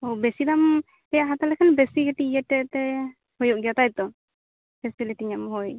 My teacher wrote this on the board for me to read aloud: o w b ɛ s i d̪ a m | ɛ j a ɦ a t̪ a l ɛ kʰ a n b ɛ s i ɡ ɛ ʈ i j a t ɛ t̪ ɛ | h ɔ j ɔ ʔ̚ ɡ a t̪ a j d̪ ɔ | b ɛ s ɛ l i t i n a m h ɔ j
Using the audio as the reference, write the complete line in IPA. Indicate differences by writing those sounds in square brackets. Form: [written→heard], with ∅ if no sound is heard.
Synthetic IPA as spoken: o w b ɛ s i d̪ a m | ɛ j a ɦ a t̪ a l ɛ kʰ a n b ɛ s i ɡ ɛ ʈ i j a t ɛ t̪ ɛ | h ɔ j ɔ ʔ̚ ɡ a t̪ a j [d̪→t̪] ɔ | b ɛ s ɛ l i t i [n→ɲ] a m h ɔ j